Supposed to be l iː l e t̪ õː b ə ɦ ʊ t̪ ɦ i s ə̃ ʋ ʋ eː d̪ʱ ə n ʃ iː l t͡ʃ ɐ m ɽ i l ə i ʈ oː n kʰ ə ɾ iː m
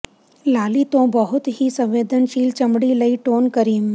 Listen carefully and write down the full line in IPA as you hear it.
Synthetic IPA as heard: l aː l i t̪ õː b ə ɦ ʊ t̪ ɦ i s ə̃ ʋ ʋ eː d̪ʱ ə n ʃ iː l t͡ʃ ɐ m ɽ i l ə i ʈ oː n k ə ɾ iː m